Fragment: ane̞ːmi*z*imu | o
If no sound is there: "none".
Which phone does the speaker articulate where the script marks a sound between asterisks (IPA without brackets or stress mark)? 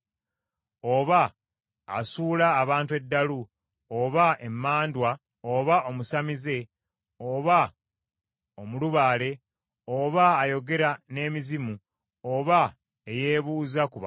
z